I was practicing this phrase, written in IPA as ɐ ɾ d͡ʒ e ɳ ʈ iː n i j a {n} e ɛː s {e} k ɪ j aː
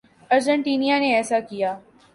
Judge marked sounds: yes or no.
yes, no

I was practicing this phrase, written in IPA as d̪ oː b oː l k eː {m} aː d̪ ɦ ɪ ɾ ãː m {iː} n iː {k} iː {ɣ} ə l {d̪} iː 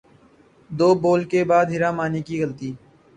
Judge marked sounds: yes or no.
no, no, yes, yes, no

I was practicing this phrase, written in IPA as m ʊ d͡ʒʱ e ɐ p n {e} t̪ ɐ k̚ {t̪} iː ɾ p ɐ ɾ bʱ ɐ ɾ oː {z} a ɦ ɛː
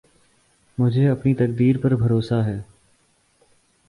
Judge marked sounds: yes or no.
no, no, no

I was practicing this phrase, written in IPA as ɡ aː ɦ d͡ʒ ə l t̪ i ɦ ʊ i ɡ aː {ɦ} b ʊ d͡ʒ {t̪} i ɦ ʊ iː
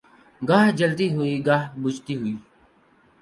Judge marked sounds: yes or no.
yes, yes

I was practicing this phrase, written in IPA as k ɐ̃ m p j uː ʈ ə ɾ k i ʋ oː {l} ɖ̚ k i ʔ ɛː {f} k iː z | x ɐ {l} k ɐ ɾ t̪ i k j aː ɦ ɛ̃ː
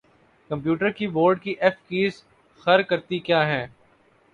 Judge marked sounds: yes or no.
no, yes, no

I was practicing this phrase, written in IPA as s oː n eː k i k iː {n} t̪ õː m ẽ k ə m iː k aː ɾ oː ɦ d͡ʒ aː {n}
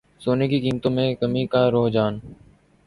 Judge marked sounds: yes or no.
no, yes

